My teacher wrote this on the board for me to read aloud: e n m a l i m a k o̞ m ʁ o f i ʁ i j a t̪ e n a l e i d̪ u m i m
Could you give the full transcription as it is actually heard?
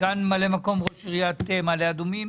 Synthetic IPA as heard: a n m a l e m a k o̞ m ʁ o ʃ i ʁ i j a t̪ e m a l e a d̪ u m i m